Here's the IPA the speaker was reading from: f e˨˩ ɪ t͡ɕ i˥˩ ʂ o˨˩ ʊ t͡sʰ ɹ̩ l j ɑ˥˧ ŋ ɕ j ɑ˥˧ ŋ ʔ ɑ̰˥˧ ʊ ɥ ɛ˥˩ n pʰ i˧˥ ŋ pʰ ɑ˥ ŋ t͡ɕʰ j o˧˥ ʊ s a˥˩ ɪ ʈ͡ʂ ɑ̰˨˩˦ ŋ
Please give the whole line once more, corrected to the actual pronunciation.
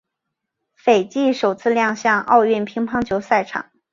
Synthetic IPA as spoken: f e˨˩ ɪ t͡ɕ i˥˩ ʂ o˨˩ ʊ t͡sʰ ɹ̩ l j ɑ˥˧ ŋ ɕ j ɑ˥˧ ŋ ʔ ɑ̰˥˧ ʊ ɥ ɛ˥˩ n pʰ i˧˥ ŋ pʰ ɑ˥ ŋ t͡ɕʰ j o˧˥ ʊ s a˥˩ ɪ ʈ͡ʂʰ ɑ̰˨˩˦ ŋ